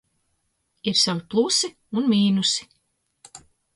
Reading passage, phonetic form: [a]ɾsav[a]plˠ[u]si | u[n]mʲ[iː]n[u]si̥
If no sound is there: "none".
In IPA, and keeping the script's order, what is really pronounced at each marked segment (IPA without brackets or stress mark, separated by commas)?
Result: i, i, u, n, iː, u